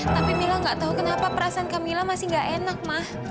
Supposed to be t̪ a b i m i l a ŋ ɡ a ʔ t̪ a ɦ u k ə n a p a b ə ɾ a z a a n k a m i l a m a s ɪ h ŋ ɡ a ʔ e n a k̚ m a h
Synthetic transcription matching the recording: t̪ a p i m i l a ŋ ɡ a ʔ t̪ a ɦ u k ə n a p a p ə ɾ a s a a n k a m i l a m a s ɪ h ŋ ɡ a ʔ e n a k̚ m a h